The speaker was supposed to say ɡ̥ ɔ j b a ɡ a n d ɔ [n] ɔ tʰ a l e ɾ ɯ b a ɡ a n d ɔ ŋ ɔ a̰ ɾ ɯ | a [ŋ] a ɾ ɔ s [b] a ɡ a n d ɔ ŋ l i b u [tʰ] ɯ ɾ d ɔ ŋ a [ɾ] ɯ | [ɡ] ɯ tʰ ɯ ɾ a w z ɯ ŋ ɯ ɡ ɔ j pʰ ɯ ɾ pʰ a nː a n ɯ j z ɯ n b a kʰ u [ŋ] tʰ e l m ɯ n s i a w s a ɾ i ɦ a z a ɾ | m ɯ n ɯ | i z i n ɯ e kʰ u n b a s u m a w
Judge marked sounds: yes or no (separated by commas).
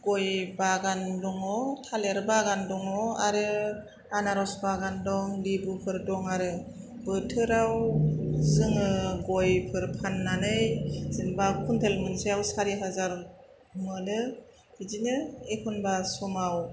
no, no, yes, no, yes, no, no